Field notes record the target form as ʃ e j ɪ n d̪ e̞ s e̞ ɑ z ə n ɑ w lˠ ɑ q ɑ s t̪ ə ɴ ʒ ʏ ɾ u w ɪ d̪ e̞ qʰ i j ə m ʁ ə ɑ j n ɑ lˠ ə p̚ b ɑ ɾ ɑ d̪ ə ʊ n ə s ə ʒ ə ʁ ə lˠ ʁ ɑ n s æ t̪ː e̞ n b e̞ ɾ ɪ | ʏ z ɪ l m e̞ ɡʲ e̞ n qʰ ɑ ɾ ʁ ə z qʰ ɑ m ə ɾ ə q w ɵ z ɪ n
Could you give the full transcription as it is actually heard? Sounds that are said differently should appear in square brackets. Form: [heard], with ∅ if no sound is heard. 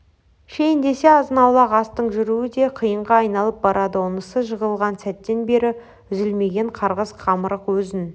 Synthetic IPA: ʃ e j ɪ n d̪ e̞ s e̞ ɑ z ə n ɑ w lˠ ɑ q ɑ s t̪ ə ɴ ʒ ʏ ɾ u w ɪ d̪ e̞ qʰ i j ə [ɴ] ʁ [ɑ] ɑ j n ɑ lˠ ə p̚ b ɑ ɾ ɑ d̪ ə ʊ n ə s ə ʒ ə ʁ ə lˠ ʁ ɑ n s æ t̪ː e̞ n b e̞ ɾ ɪ | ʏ z ɪ l m e̞ ɡʲ e̞ [ɴ] qʰ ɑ ɾ ʁ ə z qʰ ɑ m ə ɾ ə q w ɵ z ɪ n